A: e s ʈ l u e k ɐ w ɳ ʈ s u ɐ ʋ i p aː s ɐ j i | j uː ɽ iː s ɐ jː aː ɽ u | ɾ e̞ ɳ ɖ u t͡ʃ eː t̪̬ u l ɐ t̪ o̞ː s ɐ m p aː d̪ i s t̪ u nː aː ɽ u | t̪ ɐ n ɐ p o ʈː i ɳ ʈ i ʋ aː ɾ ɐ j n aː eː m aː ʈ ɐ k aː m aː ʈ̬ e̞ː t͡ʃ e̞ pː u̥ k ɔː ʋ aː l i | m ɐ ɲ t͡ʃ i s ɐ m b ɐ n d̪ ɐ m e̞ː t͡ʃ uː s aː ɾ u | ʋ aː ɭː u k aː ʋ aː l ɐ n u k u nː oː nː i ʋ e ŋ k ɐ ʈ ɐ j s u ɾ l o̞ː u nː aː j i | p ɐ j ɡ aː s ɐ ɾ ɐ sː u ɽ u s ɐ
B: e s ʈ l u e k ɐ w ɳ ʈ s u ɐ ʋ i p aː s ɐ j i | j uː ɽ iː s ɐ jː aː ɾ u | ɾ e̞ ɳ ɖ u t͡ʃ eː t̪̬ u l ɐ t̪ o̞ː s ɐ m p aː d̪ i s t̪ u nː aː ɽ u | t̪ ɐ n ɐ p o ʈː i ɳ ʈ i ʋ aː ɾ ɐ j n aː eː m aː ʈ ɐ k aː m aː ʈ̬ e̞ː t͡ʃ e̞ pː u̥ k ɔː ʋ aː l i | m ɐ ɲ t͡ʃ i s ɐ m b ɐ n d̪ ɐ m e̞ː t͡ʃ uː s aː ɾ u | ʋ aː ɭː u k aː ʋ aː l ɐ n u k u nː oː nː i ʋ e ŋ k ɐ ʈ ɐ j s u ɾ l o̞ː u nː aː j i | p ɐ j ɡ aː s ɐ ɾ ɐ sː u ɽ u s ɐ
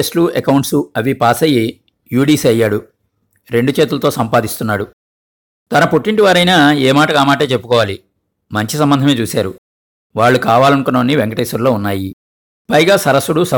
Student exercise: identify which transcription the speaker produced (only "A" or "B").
A